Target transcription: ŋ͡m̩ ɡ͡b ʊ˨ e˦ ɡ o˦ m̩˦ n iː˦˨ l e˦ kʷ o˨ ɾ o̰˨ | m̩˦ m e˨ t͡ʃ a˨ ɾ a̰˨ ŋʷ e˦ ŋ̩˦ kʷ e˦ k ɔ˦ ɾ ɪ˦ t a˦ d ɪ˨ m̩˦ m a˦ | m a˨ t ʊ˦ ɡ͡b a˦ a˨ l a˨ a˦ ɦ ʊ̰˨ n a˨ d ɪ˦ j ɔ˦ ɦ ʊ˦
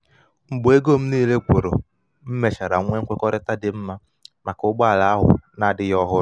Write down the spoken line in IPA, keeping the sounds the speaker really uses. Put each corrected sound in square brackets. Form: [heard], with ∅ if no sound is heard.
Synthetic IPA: ŋ͡m̩ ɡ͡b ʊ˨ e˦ ɡ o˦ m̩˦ n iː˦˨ l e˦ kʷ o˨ ɾ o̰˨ | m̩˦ m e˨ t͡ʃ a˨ ɾ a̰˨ ŋʷ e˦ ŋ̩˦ kʷ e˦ k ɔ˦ ɾ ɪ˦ t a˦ d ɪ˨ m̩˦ m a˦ | m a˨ [k] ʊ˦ ɡ͡b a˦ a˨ l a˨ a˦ ɦ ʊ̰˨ n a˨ d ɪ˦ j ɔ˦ ɦ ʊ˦